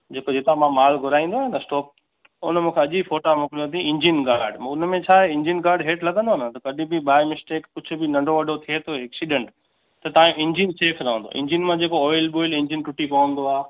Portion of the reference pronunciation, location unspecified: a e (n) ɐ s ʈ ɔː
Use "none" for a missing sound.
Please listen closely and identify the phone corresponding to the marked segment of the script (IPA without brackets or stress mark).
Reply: n